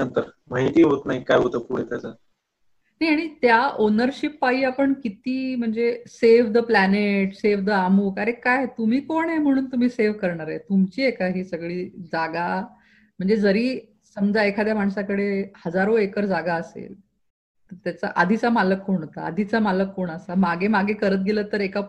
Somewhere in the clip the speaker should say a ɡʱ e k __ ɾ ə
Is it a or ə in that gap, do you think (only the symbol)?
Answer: ə